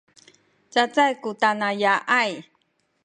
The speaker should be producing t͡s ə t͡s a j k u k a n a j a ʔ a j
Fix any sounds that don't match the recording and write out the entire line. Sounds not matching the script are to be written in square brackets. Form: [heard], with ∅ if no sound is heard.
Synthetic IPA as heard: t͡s [a] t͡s a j k u [t] a n a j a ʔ a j